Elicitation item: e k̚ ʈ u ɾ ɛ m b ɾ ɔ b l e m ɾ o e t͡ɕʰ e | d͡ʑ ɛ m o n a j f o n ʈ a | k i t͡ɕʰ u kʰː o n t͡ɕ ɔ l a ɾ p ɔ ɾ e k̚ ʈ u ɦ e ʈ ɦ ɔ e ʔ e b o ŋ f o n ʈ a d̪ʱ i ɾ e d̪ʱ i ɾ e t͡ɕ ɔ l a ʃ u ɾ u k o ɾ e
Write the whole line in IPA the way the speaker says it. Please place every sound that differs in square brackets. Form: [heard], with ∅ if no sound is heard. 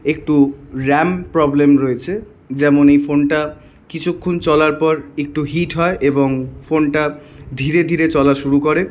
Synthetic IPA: e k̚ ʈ u ɾ ɛ m [p] ɾ ɔ b l e m ɾ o e t͡ɕʰ e | d͡ʑ ɛ m o n [e] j f o n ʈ a | k i t͡ɕʰ u kʰː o n t͡ɕ ɔ l a ɾ p ɔ ɾ e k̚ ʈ u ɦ [i] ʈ ɦ ɔ e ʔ e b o ŋ f o n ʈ a d̪ʱ i ɾ e d̪ʱ i ɾ e t͡ɕ ɔ l a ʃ u ɾ u k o ɾ e